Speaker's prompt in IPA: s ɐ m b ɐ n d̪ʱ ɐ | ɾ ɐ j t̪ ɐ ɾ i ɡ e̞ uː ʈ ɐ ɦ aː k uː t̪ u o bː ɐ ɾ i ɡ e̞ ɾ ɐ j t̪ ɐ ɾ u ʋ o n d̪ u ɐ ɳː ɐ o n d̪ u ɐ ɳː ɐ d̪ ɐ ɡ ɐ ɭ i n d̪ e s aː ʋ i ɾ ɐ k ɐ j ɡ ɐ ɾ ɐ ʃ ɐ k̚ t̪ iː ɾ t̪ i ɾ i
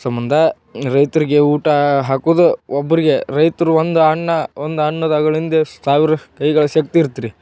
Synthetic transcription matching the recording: s ɐ m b ɐ n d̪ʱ ɐ | ɾ ɐ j t̪ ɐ ɾ i ɡ e̞ uː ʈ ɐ ɦ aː k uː d̪ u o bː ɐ ɾ i ɡ e̞ ɾ ɐ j t̪ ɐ ɾ u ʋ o n d̪ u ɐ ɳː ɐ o n d̪ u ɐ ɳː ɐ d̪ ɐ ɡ ɐ ɭ i n d̪ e s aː ʋ i ɾ ɐ k ɐ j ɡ ɐ ɭ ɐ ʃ ɐ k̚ t̪ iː ɾ t̪ i ɾ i